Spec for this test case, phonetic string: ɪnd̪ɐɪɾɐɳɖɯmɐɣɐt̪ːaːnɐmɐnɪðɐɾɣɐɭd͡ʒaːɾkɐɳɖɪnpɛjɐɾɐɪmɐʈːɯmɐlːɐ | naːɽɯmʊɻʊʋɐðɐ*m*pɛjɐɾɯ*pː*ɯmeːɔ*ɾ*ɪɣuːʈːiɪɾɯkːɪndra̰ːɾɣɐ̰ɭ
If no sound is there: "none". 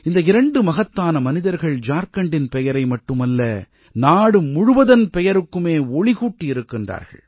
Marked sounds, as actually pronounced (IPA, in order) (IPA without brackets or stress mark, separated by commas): n, kː, ɭ